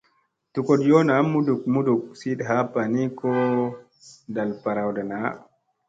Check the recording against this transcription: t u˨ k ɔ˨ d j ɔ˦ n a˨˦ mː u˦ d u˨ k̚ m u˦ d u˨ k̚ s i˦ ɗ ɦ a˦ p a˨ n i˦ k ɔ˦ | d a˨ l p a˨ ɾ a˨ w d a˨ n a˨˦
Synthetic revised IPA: t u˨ k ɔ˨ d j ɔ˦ n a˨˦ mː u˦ d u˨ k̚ m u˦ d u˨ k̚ s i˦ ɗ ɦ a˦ p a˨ n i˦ k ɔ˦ | d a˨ l p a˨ ɾ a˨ w d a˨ n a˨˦